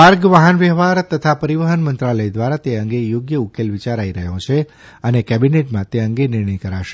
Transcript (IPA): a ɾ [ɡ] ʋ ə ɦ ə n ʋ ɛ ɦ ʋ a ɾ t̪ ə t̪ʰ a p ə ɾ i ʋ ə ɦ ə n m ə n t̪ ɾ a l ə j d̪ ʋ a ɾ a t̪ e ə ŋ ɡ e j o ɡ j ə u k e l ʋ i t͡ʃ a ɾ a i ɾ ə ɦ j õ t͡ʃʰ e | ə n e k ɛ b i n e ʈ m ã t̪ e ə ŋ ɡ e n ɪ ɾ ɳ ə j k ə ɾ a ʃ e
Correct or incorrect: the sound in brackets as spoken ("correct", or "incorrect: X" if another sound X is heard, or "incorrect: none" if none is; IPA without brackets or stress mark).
correct